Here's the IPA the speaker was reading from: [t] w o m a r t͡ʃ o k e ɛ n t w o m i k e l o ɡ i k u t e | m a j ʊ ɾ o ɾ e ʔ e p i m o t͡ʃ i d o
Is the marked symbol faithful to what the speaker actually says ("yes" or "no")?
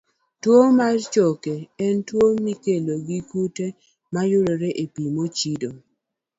yes